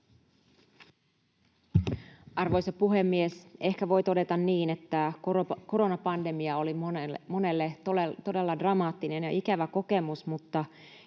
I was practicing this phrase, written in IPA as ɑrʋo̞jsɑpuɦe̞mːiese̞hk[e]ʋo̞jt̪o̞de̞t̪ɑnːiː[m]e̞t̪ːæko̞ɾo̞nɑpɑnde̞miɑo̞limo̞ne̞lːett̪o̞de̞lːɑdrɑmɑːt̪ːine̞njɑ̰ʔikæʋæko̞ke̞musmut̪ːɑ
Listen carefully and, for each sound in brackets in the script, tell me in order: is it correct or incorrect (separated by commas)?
incorrect, incorrect